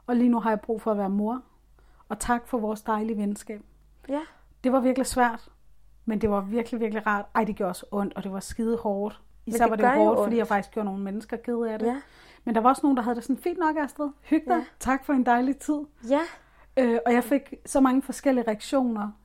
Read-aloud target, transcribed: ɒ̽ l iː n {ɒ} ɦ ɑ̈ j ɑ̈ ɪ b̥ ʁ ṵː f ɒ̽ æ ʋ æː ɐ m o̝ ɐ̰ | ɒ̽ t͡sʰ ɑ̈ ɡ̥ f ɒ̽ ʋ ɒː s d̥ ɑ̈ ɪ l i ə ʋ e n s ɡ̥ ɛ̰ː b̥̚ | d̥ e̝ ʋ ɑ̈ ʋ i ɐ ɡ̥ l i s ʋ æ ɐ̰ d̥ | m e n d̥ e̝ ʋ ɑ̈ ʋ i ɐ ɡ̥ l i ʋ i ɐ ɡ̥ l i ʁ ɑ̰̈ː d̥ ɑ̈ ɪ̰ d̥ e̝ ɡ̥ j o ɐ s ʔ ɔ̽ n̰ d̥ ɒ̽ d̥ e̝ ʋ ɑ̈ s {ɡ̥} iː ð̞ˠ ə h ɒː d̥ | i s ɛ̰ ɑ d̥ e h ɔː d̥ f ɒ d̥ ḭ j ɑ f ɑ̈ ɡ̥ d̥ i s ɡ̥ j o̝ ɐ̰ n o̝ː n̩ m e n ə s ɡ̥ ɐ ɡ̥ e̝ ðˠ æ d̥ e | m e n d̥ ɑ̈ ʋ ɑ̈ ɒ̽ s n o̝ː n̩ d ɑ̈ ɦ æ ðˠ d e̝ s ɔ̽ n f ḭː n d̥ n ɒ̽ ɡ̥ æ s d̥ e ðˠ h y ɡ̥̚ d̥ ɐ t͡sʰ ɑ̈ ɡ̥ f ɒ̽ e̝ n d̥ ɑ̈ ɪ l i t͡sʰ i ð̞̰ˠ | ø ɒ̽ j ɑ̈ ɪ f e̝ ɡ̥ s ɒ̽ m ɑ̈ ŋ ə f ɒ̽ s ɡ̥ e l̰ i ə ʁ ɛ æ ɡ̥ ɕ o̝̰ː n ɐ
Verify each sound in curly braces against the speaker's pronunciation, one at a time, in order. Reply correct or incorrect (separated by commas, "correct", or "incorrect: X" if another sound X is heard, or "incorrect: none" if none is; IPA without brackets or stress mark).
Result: incorrect: u, correct